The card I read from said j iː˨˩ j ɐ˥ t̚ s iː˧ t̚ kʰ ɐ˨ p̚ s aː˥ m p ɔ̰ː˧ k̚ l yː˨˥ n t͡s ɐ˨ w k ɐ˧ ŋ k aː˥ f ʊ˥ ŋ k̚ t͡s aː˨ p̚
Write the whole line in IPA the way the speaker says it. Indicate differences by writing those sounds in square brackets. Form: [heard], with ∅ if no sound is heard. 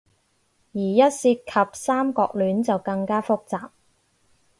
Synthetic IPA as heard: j iː˨˩ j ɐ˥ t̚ s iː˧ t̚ kʰ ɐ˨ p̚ s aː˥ m [k] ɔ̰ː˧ k̚ l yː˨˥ n t͡s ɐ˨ w k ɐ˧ ŋ k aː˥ f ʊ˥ [∅] k̚ t͡s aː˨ p̚